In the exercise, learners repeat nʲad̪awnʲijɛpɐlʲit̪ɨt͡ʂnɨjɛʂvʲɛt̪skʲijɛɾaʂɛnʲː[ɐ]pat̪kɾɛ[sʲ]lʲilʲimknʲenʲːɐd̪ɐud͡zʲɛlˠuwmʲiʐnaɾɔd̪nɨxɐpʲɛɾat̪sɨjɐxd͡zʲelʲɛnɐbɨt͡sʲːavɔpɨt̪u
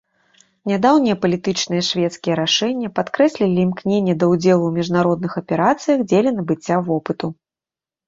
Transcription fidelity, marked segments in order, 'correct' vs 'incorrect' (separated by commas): correct, correct